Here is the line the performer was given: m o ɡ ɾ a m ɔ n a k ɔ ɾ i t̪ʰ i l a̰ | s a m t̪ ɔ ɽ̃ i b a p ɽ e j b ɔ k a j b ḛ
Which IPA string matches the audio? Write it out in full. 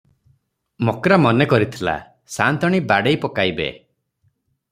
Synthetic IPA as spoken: m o k ɾ a m ɔ n e k ɔ ɾ i t̪ʰ i l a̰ | s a n t̪ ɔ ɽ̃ i b a ɽ e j p ɔ k a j b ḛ